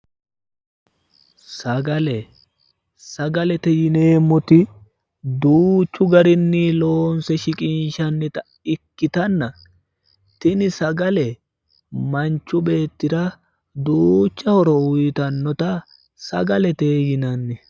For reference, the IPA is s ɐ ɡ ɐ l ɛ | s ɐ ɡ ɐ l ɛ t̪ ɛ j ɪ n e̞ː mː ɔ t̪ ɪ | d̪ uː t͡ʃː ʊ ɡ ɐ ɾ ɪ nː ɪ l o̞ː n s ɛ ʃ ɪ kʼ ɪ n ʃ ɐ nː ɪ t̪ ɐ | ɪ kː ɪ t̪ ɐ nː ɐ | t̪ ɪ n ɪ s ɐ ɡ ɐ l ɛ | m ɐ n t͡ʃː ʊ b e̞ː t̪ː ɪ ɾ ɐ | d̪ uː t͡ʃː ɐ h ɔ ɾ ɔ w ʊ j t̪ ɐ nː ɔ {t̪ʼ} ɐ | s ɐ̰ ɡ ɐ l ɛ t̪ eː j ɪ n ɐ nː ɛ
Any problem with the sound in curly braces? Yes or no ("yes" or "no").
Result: yes